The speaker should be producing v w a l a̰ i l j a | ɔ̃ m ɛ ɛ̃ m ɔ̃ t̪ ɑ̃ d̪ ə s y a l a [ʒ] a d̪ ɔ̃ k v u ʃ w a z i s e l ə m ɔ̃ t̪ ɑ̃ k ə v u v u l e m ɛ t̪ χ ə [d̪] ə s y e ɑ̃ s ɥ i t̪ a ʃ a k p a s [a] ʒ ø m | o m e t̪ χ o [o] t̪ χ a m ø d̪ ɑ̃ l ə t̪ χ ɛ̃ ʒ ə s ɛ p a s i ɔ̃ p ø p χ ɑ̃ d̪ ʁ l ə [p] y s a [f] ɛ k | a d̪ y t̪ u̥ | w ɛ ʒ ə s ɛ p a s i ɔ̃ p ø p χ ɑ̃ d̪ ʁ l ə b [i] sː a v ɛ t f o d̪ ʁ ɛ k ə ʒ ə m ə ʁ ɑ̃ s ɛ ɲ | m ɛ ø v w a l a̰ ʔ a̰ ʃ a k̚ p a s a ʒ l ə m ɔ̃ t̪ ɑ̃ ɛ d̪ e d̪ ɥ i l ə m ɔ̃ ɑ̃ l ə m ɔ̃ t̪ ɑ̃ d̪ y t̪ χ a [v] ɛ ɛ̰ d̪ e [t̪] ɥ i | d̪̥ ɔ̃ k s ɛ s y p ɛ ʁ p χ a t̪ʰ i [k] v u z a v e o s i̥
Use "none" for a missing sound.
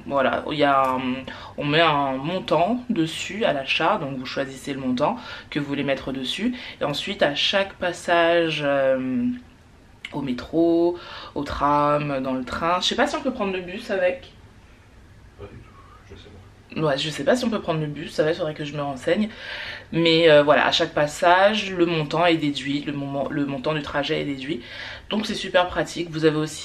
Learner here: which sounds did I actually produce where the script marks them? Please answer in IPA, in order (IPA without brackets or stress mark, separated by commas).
ʃ, d̪, a, o, b, v, y, ʒ, d̪, k